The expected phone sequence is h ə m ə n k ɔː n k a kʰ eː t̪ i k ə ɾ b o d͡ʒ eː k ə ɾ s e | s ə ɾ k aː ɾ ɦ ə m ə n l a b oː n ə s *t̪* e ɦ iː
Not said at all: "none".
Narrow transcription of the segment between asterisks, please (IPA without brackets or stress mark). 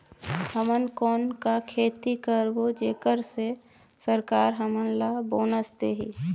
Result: t̪